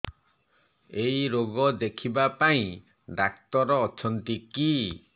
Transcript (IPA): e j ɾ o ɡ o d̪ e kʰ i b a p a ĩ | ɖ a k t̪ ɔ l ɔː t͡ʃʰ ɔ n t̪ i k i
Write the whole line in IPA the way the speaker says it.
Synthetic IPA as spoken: e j ɾ o ɡ ɔ d̪ e kʰ i b a p a ĩ | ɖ a k t̪ ɔ ɾ ɔː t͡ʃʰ ɔ n t̪ i k i